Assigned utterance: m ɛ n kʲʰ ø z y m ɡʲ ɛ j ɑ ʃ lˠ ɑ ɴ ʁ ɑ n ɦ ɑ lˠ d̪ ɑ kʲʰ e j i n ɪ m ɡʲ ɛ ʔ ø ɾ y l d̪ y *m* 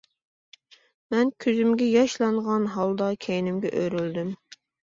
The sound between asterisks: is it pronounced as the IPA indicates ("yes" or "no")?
yes